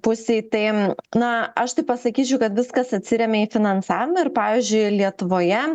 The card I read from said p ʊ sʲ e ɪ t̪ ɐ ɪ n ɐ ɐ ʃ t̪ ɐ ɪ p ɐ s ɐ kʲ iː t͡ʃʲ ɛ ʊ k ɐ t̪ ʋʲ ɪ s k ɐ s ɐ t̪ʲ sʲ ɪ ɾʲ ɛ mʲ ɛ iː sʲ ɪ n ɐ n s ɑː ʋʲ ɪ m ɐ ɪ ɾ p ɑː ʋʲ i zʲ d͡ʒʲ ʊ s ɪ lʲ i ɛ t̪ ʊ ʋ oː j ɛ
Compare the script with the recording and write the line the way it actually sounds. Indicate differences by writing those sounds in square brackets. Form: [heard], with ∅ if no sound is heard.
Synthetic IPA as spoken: p ʊ sʲ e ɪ t̪ ɐ ɪ n ɐ ɐ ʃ t̪ ɐ ɪ p ɐ s ɐ kʲ iː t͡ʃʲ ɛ ʊ k ɐ t̪ ʋʲ ɪ s k ɐ s ɐ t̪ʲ sʲ ɪ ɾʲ ɛ mʲ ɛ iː [fʲ] ɪ n ɐ n s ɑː ʋʲ ɪ m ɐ ɪ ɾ p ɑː ʋʲ i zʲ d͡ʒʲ ʊ [∅] ɪ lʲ i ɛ t̪ ʊ ʋ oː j ɛ